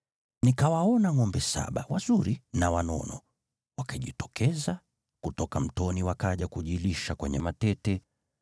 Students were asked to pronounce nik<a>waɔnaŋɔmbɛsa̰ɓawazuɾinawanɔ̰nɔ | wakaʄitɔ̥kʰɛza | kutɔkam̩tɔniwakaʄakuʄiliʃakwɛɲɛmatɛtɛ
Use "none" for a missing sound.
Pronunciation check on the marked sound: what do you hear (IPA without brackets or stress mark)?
a